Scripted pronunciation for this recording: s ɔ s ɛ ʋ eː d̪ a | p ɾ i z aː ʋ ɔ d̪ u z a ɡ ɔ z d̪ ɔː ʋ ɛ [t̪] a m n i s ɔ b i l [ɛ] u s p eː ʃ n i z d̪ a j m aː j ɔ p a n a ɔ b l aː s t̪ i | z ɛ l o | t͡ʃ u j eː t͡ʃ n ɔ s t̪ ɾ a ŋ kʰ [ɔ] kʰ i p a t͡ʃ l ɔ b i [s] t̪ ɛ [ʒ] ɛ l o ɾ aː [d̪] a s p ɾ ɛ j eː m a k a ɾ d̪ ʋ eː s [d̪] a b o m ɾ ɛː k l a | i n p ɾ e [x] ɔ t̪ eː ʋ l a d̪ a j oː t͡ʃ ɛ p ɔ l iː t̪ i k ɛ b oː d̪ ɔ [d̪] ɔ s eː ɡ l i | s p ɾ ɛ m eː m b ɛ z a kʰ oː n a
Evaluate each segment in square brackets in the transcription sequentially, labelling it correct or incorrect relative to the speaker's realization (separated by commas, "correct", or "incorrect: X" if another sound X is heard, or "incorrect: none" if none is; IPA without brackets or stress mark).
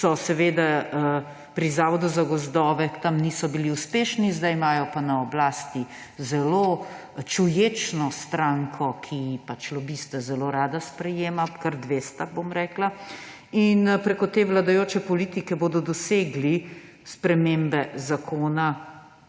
correct, incorrect: i, correct, correct, incorrect: z, correct, incorrect: t̪, incorrect: k, correct